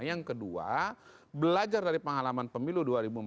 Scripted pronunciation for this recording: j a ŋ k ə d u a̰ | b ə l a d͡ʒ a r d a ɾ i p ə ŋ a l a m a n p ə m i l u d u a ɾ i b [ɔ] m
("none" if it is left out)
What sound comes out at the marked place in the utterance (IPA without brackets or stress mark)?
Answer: u